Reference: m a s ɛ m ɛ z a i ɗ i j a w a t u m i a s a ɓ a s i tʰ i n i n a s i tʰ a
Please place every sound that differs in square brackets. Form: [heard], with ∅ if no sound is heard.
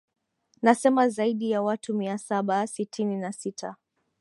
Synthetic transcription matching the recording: [n] a s ɛ m [a] z a i ɗ i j a w a t u m i a s a ɓ a s i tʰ i n i n a s i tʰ a